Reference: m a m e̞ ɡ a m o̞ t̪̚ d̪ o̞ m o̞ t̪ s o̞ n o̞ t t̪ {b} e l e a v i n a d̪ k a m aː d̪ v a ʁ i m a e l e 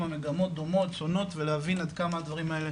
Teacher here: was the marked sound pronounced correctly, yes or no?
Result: no